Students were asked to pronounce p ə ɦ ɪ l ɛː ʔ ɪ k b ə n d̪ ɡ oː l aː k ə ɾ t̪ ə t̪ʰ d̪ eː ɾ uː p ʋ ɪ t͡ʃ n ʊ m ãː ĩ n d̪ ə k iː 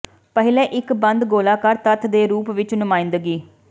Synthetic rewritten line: p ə ɦ ɪ l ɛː ʔ ɪ k b ə n d̪ ɡ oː l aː k ə ɾ t̪ ə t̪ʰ d̪ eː ɾ uː p ʋ ɪ t͡ʃ n ʊ m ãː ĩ n d̪ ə ɡ iː